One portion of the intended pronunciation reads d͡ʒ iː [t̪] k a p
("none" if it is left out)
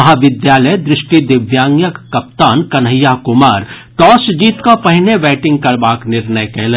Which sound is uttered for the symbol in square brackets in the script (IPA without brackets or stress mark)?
t̪